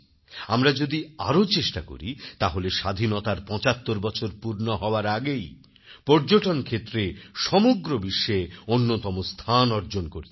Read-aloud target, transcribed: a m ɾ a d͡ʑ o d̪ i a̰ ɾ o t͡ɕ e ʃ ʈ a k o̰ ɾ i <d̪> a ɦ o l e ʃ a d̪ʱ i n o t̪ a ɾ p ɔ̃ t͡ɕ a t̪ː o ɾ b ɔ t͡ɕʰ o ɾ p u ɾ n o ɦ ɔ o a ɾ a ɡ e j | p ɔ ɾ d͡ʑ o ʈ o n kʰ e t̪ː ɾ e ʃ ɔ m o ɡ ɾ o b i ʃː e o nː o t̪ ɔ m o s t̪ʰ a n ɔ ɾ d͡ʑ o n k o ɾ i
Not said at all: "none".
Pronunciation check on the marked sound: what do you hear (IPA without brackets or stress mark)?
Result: t̪